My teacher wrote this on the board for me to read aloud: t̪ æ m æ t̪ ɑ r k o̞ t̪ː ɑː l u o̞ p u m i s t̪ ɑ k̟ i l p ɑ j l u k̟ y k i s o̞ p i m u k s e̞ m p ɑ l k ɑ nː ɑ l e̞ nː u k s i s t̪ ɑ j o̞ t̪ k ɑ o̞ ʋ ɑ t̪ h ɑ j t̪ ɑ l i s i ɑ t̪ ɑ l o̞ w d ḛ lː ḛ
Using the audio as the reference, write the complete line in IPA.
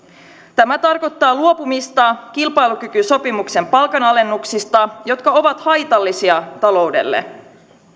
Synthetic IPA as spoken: t̪ æ m æ t̪ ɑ r k o̞ t̪ː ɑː l u o̞ p u m i s t̪ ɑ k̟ i l p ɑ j l u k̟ y k y s o̞ p i m u k s e̞ m p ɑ l k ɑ n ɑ l e̞ nː u k s i s t̪ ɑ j o̞ t̪ k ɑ o̞ ʋ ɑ t̪ h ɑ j t̪ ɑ lː i s i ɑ t̪ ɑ l o̞ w d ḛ lː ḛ

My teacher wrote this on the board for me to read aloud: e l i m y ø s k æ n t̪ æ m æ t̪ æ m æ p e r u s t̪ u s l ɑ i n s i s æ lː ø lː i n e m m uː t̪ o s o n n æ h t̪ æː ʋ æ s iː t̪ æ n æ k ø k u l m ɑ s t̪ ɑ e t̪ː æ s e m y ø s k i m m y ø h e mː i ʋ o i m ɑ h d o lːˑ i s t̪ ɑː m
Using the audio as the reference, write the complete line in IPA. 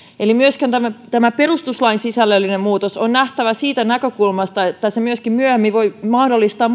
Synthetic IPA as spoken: e l i m y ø s k æ n t̪ æ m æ t̪ æ m æ p e r u s t̪ u s l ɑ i n s i s æ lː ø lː i n e m m uː t̪ o s o n n æ h t̪ æ ʋ æ s iː t̪ æ n æ k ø k u l m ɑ s t̪ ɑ e t̪ː æ s e m y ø s k i m m y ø h e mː i ʋ o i m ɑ h d o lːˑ i s t̪ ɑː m

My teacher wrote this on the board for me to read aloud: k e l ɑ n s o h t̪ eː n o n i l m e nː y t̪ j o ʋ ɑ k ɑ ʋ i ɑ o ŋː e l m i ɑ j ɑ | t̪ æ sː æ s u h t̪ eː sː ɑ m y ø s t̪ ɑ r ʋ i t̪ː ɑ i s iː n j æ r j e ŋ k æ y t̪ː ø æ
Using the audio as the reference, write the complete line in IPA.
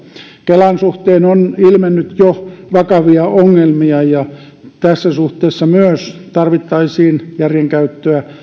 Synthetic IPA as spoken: k e l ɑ n s u h t̪ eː n o n i l m e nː y t̪ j o ʋ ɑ k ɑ ʋ i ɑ o ŋː e l m i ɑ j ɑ | t̪ æ sː æ s u h t̪ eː sː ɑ m y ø s t̪ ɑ r ʋ i t̪ː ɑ i s iː n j æ r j e ŋ k æ y t̪ː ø æ

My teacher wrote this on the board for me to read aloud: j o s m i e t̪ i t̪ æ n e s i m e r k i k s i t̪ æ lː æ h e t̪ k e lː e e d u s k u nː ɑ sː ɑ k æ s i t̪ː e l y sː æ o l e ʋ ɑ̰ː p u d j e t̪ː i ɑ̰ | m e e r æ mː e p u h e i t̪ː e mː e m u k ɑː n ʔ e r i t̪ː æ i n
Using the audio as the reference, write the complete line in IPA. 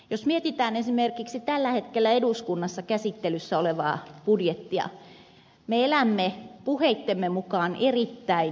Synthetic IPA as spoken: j o s m i e t̪ i t̪ æː n e s i m e r k i k s i t̪ æ lː æ h e t̪ k e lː æ e d u s k u nː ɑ sː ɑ k æ s i t̪ː e l y sː æ o l e ʋ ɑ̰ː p u d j e t̪ː i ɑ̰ | m e e l æ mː e p u h e i t̪ː e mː e m u k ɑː n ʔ e r i t̪ː æ i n

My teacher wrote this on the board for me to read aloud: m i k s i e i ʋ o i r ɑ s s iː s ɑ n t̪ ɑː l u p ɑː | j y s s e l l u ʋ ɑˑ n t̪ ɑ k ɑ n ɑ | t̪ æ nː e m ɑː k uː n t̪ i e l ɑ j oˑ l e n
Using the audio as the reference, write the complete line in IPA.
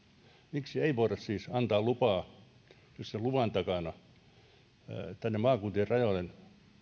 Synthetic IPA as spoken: m i k s i e i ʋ o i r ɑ s s iː s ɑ n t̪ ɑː l u p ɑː | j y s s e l l u ʋ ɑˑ n t̪ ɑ k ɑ n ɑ | t̪ æ nː e m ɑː k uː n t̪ i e r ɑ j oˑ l e n

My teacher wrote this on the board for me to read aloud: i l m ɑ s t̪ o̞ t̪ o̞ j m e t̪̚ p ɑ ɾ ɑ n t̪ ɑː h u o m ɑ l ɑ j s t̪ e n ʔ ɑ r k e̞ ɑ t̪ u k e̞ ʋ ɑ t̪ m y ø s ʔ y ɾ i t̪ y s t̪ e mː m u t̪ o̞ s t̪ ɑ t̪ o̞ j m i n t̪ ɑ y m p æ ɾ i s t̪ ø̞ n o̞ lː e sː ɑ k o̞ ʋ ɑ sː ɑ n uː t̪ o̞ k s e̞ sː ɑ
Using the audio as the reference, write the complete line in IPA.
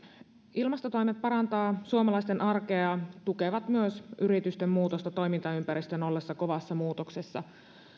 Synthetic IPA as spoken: i l m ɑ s t̪ o̞ t̪ o̞ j m e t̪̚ p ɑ ɾ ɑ n t̪ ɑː s u o m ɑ l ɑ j s t̪ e n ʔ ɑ r k e̞ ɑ t̪ u k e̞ ʋ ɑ t̪ m y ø s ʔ y ɾ i t̪ y s t̪ e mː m uː t̪ o̞ s t̪ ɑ t̪ o̞ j m i n t̪ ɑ y m p æ ɾ i s t̪ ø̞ n o̞ lː e sː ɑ k o̞ ʋ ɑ sː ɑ m uː t̪ o̞ k s e̞ sː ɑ

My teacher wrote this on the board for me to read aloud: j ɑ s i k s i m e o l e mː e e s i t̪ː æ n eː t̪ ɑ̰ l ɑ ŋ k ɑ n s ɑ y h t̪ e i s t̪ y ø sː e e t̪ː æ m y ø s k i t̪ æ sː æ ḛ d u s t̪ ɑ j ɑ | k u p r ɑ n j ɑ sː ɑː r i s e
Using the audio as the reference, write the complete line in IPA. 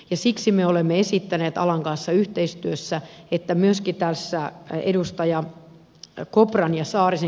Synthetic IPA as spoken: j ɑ s i k s i m e o l e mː e e s i t̪ː æ n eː t̪ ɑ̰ l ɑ ŋ k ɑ n sː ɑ y h t̪ e i s t̪ y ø sː æ e t̪ː æ m y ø s k i t̪ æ sː æ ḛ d u s t̪ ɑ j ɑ | k o p r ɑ n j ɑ s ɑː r i s e

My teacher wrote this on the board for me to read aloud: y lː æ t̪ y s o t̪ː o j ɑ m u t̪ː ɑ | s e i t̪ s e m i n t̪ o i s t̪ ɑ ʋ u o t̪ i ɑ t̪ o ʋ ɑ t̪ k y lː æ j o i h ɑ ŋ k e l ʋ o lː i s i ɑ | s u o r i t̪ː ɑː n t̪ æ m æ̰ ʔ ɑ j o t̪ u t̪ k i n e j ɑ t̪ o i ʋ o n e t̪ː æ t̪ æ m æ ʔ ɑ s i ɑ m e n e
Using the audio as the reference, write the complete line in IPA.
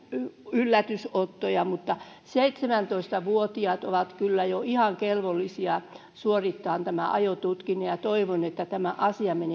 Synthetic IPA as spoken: y lː æ t̪ y s o t̪ː o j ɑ m u t̪ː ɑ | s e i t̪ s e m æ n t̪ o i s t̪ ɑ ʋ u o t̪ i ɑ t̪ o ʋ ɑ t̪ k y lː æ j o i h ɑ ŋ k e l ʋ o lː i s i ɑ | s u o r i t̪ː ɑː n t̪ æ m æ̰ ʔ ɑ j o t̪ u t̪ k i n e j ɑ t̪ o i ʋ o n e t̪ː æ t̪ æ m æ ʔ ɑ s i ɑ m e n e

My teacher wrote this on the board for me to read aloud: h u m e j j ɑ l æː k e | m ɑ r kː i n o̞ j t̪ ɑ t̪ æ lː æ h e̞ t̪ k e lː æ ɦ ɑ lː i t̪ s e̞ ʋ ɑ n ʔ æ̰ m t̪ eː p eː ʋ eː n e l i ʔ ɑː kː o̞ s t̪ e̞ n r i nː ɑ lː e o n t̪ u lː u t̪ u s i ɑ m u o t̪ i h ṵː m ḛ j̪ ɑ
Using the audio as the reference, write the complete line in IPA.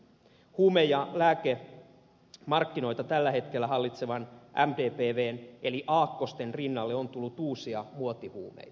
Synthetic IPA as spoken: h uː m e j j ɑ l æː k e | m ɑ r kː i n o̞ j t̪ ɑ t̪ æ lː æ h e̞ t̪ k e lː æ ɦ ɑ lː i t̪ s e̞ ʋ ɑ n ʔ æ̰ m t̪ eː p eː ʋ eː n e l i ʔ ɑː kː o̞ s t̪ e̞ n r i nː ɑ lː e o n t̪ u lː u t̪ uː s i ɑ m u o t̪ i h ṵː m ḛ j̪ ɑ

